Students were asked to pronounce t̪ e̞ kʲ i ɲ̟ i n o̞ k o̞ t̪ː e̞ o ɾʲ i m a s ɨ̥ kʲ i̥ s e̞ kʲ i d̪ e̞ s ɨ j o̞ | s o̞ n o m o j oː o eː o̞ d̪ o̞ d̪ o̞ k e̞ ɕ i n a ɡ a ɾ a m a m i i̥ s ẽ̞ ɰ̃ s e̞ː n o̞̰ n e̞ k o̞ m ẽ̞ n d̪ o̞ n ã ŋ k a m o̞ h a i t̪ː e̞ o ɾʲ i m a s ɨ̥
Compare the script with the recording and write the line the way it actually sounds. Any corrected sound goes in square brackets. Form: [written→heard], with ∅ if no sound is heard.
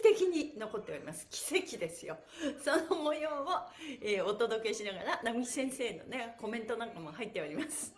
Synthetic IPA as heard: t̪ e̞ kʲ i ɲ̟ i n o̞ k o̞ t̪ː e̞ o ɾʲ i m a s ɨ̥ kʲ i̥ s e̞ kʲ i d̪ e̞ s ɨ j o̞ | s o̞ n o m o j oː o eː o̞ [d̪→t̪] o̞ d̪ o̞ k e̞ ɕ i n a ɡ a ɾ a [m→n] a m i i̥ s ẽ̞ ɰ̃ s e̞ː n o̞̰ n e̞ k o̞ m ẽ̞ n [d̪→t̪] o̞ n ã ŋ k a m o̞ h a i t̪ː e̞ o ɾʲ i m a s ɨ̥